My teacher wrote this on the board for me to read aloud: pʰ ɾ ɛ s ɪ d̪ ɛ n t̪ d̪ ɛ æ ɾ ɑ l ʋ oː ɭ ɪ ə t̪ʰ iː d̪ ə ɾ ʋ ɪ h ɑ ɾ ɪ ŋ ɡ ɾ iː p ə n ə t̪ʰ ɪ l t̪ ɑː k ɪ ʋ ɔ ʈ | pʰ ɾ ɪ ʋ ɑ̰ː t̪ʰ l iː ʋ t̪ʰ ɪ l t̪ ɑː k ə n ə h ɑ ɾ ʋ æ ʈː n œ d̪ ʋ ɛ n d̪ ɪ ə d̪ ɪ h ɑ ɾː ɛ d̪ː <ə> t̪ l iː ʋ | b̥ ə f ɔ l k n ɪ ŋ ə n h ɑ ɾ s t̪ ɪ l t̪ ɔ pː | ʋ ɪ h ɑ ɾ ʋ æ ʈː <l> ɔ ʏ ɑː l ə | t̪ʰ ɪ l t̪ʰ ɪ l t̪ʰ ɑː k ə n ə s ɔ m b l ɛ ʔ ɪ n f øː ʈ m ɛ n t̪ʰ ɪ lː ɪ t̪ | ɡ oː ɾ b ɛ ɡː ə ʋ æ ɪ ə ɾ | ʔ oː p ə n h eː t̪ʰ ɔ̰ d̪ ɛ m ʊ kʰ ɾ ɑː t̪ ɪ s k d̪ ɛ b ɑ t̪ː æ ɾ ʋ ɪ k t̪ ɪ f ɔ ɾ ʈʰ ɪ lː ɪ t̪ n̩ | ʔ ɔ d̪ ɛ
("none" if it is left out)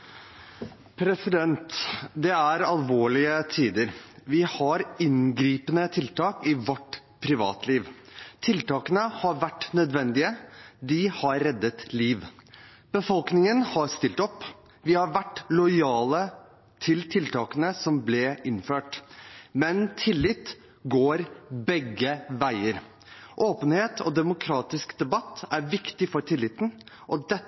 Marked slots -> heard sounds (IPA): ə, l

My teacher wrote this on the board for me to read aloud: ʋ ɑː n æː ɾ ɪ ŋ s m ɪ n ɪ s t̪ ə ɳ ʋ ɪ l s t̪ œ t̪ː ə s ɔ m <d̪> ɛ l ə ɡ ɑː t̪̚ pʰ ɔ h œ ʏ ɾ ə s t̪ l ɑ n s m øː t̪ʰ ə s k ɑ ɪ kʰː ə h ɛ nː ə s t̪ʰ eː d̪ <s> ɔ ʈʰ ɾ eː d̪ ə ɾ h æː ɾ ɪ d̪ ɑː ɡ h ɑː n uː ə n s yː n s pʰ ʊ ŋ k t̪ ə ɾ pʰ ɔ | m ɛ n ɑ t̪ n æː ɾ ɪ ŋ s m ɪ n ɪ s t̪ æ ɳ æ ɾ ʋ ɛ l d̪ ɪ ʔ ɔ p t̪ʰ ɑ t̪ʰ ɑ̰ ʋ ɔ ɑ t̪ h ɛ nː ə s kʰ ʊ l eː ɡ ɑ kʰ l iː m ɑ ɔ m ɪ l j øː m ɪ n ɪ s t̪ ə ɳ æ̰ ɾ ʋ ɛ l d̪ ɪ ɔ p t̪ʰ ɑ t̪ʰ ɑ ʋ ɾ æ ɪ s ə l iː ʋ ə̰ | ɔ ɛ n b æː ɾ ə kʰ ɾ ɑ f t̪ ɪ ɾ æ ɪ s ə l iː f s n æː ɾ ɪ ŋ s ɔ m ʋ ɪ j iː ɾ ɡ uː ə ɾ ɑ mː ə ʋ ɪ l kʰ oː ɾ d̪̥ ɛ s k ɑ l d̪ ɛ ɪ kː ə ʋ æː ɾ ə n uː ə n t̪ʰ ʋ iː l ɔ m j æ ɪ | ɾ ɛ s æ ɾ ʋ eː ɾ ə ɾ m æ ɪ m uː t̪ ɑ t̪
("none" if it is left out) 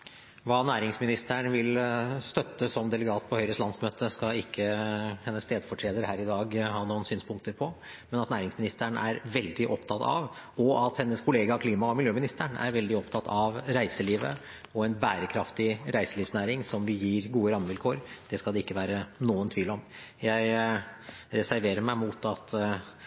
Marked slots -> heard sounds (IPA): d̪, f

